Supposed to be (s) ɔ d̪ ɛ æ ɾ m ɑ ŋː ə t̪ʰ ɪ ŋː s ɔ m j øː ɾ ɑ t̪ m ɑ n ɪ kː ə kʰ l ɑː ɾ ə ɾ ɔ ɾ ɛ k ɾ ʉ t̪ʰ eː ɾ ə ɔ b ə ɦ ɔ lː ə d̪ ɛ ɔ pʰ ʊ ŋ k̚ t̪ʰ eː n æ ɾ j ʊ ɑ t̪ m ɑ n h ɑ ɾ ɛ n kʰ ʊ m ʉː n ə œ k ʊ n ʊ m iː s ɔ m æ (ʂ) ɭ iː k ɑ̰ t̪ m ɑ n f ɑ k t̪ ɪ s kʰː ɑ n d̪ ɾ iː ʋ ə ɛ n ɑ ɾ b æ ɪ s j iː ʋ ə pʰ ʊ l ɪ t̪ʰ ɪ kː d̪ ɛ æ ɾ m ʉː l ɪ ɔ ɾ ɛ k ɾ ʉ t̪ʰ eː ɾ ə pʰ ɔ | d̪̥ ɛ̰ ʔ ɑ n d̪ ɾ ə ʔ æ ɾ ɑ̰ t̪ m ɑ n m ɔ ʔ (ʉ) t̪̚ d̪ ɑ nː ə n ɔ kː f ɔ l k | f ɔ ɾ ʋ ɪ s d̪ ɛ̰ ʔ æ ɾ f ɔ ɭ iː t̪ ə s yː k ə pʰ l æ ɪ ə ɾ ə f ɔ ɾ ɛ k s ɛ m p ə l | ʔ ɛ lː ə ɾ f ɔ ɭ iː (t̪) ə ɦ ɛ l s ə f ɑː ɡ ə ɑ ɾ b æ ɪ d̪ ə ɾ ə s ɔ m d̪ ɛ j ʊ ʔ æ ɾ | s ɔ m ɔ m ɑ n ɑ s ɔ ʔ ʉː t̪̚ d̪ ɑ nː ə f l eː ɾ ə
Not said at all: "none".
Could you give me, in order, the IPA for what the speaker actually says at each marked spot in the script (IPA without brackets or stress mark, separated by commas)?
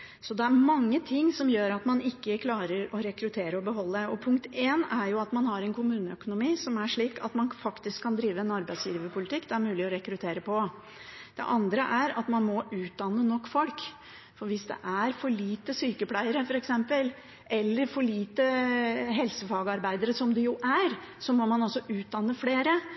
s, ʂ, ʉː, t̪